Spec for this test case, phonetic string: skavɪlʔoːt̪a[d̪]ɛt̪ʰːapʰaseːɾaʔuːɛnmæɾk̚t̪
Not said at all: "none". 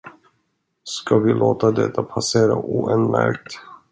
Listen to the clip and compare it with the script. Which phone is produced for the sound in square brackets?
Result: d̪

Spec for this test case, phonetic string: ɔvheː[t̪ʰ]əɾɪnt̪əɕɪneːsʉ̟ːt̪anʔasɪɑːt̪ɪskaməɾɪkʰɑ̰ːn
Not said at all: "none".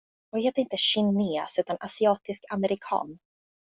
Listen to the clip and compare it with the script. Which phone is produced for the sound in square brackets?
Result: t̪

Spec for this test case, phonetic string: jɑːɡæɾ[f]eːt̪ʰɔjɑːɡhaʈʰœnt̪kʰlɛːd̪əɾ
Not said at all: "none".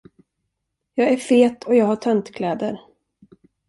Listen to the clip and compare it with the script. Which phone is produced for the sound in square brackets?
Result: f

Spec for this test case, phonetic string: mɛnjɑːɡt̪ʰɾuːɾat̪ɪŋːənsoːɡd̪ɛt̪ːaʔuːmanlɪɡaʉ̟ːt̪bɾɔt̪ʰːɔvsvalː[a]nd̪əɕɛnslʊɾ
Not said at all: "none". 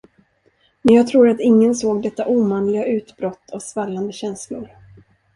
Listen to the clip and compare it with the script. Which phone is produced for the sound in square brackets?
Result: a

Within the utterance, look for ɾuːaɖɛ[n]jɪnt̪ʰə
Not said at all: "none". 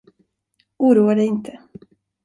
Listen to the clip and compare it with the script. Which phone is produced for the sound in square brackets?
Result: none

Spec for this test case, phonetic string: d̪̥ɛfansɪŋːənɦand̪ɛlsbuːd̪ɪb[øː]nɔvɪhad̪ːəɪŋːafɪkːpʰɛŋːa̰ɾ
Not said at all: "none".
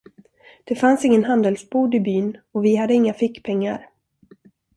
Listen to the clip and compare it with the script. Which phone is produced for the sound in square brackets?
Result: yː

